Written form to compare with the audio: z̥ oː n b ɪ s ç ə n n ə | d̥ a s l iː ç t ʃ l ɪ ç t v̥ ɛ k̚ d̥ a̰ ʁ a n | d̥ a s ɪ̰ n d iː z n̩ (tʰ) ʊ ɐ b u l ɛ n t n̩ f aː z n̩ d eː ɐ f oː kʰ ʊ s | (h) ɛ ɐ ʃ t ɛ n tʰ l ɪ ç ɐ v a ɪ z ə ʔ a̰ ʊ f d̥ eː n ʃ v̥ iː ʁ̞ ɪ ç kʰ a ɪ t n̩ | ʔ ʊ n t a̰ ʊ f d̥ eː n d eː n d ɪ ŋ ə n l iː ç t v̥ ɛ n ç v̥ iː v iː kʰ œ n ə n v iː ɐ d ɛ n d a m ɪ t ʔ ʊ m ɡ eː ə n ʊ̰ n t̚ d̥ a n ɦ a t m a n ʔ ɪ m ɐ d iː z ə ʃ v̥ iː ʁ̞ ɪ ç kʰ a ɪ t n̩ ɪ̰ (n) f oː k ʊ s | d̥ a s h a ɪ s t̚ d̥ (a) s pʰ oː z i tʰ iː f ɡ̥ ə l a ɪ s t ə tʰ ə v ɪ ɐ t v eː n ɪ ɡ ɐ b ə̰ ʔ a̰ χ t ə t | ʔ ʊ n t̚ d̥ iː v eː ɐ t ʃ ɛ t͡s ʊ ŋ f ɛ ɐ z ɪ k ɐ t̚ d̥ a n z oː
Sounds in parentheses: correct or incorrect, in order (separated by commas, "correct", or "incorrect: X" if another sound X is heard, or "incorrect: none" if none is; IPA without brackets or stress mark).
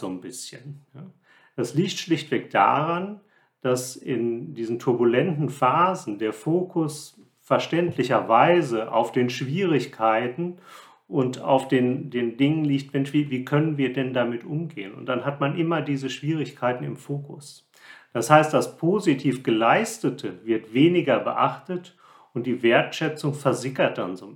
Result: correct, incorrect: f, incorrect: m, correct